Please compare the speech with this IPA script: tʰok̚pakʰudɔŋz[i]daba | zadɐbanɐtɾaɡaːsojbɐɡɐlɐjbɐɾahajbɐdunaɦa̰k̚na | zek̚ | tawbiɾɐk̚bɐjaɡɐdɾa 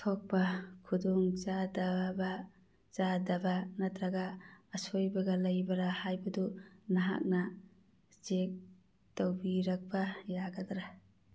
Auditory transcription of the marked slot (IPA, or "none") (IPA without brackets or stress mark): a